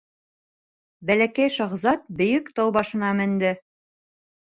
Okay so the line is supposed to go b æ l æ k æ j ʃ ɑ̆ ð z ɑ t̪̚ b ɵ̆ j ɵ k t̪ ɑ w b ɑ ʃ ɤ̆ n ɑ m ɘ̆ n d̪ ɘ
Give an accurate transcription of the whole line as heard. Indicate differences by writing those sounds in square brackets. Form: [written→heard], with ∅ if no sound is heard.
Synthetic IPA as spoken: b æ l æ k æ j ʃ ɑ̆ [ð→ʁ] z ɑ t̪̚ b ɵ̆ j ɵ k t̪ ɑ w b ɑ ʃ ɤ̆ n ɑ m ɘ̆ n d̪ ɘ